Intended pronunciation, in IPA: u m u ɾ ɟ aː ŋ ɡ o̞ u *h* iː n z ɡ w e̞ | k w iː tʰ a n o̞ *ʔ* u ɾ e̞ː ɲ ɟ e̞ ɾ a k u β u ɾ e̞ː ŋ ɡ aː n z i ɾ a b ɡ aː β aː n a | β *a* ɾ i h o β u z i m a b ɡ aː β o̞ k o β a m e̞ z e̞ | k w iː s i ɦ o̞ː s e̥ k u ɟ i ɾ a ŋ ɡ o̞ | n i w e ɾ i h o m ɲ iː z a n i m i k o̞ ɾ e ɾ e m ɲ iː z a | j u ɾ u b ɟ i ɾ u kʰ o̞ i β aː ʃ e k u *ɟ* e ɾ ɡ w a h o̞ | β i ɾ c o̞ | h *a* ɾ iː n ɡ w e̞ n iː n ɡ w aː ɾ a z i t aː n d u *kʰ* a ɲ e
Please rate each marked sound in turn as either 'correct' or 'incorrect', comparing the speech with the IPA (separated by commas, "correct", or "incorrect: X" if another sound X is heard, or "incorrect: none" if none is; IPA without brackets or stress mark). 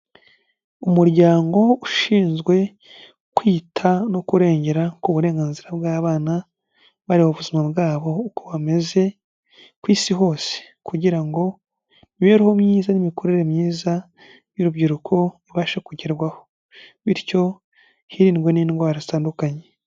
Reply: incorrect: ʃ, incorrect: k, correct, correct, incorrect: i, incorrect: k